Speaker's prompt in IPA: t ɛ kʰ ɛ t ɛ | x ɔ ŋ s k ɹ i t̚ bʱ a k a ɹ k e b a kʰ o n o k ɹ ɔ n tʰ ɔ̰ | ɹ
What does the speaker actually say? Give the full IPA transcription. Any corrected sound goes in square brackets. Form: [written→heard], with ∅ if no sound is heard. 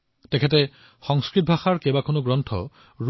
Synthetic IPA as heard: t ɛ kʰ ɛ t ɛ | x ɔ ŋ s k ɹ i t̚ bʱ a [k→x] a ɹ k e b a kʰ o n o [k→ɡ] ɹ ɔ n tʰ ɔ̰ | ɹ

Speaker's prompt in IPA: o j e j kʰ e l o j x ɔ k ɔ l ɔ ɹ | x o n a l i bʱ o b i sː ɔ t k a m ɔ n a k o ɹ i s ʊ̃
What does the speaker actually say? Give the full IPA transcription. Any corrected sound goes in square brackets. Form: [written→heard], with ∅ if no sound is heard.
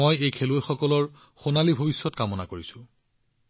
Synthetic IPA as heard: o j e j kʰ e l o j x ɔ k ɔ l ɔ ɹ | x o n a l i bʱ o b i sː ɔ t k a m ɔ n a k o ɹ i s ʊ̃

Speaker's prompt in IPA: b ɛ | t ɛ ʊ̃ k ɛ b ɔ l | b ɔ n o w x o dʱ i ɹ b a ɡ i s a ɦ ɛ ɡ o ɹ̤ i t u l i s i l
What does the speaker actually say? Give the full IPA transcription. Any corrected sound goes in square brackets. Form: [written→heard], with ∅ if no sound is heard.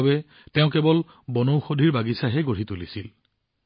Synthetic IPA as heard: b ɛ | t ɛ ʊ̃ k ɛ b ɔ l | b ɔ n o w x o dʱ i ɹ b a ɡ i s a ɦ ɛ ɡ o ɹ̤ i t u l i s i l

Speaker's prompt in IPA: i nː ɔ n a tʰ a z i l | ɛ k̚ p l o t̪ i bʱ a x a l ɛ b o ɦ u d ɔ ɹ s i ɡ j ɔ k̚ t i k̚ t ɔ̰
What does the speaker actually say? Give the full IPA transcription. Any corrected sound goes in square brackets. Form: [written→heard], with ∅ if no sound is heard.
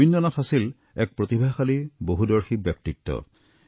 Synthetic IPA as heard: i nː ɔ n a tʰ a [z→s] i l | ɛ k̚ p [l→ɹ] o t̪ i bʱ a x a l [ɛ→i] b o ɦ u d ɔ ɹ [s→x] i [ɡ→b] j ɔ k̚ t i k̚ t ɔ̰

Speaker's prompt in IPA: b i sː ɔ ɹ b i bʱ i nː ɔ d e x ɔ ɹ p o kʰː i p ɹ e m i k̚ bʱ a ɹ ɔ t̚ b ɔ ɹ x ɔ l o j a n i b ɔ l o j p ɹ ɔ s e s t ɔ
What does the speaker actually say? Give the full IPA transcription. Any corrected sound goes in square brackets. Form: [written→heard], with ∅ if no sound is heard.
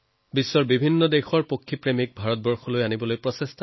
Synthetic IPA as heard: b i sː ɔ ɹ b i bʱ i nː ɔ d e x ɔ ɹ p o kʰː i p ɹ e m i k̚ bʱ a ɹ ɔ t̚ b ɔ ɹ x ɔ l o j a n i b ɔ l o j p ɹ ɔ s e s t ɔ

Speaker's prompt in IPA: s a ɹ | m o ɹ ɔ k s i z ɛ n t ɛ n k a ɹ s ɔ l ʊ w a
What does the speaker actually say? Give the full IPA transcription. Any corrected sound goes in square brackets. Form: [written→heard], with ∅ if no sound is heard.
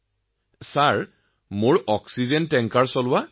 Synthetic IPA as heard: s a ɹ | m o ɹ ɔ k s i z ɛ n t ɛ [n→ŋ] k a ɹ s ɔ l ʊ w a

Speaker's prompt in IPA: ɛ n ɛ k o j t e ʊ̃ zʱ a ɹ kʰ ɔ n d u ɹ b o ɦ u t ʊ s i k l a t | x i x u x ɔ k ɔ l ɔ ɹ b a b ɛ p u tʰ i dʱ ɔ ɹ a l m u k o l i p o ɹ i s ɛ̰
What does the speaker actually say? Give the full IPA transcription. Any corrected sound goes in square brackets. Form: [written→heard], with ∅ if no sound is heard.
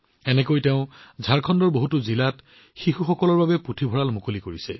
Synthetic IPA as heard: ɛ n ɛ k o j t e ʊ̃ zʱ a ɹ kʰ ɔ n d [u→ɔ] ɹ b o ɦ u t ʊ [s→z] i [k→∅] l a t | x i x u x ɔ k ɔ l ɔ ɹ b a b ɛ p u tʰ i [dʱ→bʱ] ɔ ɹ a l m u k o l i [p→k] o ɹ i s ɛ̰

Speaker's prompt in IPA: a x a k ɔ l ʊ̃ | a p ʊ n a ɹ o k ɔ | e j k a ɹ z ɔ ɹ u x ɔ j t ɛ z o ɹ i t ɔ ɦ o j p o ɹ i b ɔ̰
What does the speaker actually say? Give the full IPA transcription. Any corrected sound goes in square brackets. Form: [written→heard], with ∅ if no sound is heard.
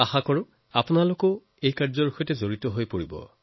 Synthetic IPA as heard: a x a k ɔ [l→ɹ] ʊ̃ | a p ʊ n a [ɹ→l] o k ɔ | e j k a ɹ z ɔ ɹ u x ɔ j t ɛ z o ɹ i t ɔ ɦ o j p o ɹ i b ɔ̰

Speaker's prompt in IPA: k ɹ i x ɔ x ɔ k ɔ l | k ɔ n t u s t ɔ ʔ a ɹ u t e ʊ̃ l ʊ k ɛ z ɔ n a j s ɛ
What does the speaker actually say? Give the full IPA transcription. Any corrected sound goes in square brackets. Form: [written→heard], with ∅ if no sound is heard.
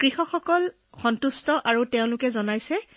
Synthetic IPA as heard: k ɹ i x ɔ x ɔ k ɔ l | [k→x] ɔ n t u s t ɔ ʔ a ɹ u t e ʊ̃ l ʊ k ɛ z ɔ n a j s ɛ

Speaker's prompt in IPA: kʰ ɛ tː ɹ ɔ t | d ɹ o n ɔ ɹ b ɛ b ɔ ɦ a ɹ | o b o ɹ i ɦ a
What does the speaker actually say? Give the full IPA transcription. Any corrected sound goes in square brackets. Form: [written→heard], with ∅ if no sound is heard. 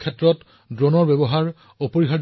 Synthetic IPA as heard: kʰ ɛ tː ɹ ɔ t | d ɹ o n ɔ ɹ b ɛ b ɔ ɦ a ɹ | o [b→p] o ɹ i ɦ a

